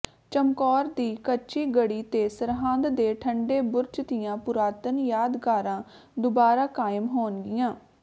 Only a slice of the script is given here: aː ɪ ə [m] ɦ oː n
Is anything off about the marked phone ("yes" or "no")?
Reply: no